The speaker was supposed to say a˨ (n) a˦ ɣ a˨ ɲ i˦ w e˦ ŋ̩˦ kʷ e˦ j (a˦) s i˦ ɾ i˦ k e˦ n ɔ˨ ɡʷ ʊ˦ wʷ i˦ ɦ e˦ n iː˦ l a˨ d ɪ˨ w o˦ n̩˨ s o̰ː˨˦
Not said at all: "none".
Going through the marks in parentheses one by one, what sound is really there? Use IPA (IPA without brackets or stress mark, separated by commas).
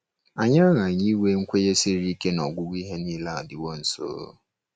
ɲ, e˦